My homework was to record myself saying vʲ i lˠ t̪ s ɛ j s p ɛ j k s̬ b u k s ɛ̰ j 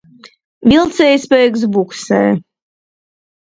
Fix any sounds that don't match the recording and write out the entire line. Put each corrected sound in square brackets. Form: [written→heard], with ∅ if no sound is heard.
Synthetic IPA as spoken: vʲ i lˠ t̪ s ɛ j s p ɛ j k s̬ b u k s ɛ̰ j

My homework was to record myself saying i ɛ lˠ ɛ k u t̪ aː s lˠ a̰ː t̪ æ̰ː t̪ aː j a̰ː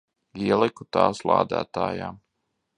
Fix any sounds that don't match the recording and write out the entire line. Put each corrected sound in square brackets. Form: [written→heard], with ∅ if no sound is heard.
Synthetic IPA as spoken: i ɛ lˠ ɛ k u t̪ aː s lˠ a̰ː [t̪→d̪] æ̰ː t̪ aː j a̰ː

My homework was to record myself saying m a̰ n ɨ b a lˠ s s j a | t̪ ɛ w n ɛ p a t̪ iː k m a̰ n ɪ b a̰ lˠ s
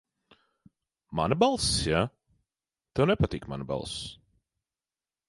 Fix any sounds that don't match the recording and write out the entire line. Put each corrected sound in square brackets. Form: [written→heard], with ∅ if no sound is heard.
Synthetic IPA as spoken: m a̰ n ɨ b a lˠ s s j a | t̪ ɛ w n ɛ p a t̪ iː k m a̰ n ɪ b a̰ lˠ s

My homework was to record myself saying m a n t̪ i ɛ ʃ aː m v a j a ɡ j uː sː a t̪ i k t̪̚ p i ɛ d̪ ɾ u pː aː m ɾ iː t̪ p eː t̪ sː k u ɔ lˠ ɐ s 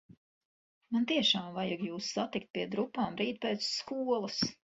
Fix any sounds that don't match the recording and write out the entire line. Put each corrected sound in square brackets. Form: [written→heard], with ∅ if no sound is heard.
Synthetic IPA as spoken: m a n t̪ i ɛ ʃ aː m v a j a ɡ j uː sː a t̪ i k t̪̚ p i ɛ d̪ ɾ u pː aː m ɾ iː t̪ p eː t̪ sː k u ɔ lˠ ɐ s

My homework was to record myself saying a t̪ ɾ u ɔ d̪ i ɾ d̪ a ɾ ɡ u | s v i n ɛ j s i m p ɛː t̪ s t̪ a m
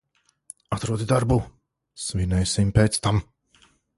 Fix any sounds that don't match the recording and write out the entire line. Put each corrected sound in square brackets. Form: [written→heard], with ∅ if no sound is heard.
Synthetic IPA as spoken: a t̪ ɾ u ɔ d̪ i [ɾ→∅] d̪ a ɾ [ɡ→b] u | s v i n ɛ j s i m p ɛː t̪ s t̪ a m

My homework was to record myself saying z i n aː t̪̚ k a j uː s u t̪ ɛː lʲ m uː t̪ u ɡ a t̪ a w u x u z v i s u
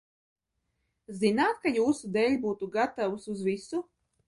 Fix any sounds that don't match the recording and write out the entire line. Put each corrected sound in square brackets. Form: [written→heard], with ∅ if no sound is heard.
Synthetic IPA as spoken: z i n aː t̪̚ k a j uː s u [t̪→d̪] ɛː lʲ [m→b] uː t̪ u ɡ a t̪ a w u [x→s] u z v i s u

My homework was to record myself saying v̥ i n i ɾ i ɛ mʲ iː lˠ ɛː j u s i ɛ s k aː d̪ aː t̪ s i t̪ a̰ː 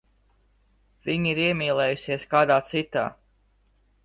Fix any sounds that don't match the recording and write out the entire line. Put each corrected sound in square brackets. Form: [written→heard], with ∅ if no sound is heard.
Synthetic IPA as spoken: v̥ i [n→ɲ] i ɾ i ɛ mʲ iː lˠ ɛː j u s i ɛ s k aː d̪ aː t̪ s i t̪ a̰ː

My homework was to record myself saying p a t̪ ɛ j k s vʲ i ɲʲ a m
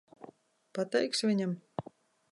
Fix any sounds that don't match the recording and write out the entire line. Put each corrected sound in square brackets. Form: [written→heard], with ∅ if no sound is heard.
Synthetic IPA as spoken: p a t̪ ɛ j k s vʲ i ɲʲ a m

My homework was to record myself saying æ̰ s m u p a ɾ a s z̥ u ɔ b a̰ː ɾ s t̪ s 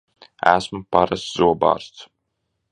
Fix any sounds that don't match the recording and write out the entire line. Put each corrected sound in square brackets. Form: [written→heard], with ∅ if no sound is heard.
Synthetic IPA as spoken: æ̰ s m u p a ɾ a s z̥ u ɔ b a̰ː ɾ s t̪ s

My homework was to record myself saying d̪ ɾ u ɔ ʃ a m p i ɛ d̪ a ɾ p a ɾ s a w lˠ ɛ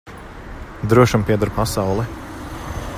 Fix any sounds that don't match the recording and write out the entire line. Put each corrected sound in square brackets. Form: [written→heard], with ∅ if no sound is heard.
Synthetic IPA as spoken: d̪ ɾ u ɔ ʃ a m p i ɛ d̪ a ɾ p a [ɾ→∅] s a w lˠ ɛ

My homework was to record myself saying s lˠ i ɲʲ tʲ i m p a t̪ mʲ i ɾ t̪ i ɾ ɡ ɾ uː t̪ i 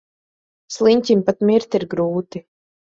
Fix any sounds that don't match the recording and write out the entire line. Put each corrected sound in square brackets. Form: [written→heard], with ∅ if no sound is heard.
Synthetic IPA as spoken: s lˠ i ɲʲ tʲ i m p a t̪ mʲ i ɾ t̪ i ɾ ɡ ɾ uː t̪ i

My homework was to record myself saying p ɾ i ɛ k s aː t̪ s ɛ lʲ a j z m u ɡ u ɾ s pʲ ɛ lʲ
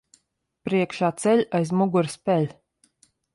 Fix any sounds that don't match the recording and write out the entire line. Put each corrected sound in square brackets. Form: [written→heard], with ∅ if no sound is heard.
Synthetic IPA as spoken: p ɾ i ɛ k [s→ʃ] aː t̪ s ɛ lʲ a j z m u ɡ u ɾ s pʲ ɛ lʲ

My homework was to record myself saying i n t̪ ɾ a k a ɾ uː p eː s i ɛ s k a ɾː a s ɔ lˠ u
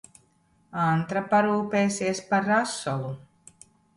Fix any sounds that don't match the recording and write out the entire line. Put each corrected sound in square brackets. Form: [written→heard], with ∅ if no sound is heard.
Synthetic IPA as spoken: [i→a] n t̪ ɾ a [k→p] a ɾ uː p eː s i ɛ s [k→p] a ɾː a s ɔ lˠ u

